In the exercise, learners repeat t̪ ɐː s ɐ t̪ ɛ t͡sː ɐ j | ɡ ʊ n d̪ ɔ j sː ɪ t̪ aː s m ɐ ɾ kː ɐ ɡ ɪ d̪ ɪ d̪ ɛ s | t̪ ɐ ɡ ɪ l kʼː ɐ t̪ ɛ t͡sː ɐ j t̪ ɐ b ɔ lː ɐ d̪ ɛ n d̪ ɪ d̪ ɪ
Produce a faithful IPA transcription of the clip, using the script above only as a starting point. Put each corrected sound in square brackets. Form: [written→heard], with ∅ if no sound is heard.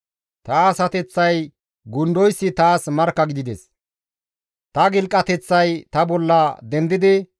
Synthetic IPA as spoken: t̪ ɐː s ɐ t̪ ɛ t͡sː ɐ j | ɡ ʊ n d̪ ɔ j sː ɪ t̪ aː s m ɐ ɾ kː ɐ ɡ ɪ d̪ ɪ d̪ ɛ s | t̪ ɐ ɡ ɪ l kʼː ɐ t̪ ɛ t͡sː ɐ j t̪ ɐ b ɔ lː ɐ d̪ ɛ n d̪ ɪ d̪ ɪ

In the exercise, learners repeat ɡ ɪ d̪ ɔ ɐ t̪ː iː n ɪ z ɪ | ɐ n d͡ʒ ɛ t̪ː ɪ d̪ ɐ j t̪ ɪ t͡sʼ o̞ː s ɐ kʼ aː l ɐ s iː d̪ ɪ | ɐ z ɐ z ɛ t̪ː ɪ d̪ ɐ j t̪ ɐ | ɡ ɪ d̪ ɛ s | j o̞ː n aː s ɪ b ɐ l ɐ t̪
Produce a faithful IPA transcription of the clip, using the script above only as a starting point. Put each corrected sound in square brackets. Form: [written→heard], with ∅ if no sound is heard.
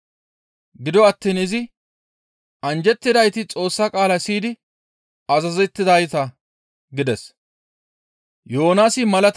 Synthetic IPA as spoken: ɡ ɪ d̪ ɔ ɐ t̪ː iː n ɪ z ɪ | ɐ n d͡ʒ ɛ t̪ː ɪ d̪ ɐ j t̪ ɪ t͡sʼ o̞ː [s→sː] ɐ kʼ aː l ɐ s iː d̪ ɪ | ɐ z ɐ z ɛ t̪ː ɪ d̪ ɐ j t̪ ɐ | ɡ ɪ d̪ ɛ s | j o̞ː n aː s ɪ [b→m] ɐ l ɐ t̪

